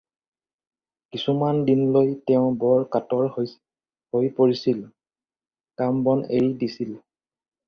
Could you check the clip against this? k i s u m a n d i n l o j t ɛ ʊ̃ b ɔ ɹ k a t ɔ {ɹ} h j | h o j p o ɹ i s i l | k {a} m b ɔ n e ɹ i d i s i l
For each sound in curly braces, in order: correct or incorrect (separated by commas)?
correct, correct